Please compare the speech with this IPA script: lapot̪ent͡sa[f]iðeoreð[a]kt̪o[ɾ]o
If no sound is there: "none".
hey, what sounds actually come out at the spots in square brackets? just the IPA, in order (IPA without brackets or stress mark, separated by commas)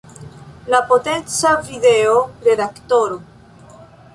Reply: v, a, ɾ